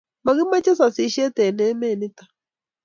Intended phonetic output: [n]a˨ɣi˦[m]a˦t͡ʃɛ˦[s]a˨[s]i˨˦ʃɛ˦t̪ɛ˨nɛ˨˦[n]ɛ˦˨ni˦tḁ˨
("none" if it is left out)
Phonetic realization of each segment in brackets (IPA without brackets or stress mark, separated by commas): m, m, s, s, m